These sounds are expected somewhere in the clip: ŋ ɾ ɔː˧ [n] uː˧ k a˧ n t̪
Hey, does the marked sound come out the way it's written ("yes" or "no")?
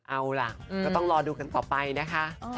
no